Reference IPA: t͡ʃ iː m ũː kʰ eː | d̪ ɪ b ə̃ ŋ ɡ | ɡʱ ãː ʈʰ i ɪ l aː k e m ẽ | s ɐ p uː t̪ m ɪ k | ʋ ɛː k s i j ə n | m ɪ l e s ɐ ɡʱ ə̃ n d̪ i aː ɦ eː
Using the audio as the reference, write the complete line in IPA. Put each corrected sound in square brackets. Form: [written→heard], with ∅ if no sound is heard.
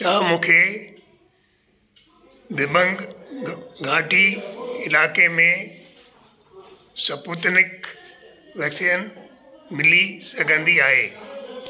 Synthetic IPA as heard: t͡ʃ [iː→aː] m ũː kʰ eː | d̪ ɪ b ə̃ ŋ ɡ | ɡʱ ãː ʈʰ i ɪ l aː k e m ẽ | s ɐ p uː t̪ [m→n] ɪ k | ʋ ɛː k s i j ə n | m ɪ l [e→i] s ɐ ɡʱ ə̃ n d̪ i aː ɦ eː